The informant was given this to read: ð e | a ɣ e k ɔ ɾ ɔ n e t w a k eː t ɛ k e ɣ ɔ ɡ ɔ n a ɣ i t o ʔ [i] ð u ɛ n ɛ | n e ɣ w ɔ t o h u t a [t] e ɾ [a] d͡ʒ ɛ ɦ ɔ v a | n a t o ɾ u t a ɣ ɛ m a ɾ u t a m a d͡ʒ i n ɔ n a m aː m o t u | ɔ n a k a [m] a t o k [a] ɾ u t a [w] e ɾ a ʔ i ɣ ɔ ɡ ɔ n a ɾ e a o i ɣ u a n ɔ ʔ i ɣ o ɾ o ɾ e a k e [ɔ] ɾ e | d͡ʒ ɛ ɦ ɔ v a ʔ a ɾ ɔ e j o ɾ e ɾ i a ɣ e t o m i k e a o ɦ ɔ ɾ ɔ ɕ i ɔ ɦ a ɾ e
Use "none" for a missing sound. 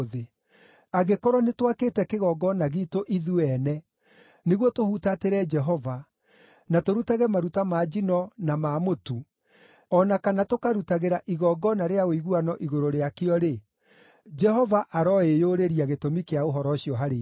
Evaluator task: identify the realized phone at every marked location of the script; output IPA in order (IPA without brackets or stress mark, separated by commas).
i, t, ɛ, n, a, ɣ, ɔ